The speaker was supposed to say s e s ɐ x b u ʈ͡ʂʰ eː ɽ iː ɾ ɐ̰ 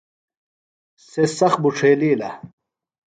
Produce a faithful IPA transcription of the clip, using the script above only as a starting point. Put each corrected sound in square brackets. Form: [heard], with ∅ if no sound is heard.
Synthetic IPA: s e s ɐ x b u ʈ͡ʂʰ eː [l] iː [l] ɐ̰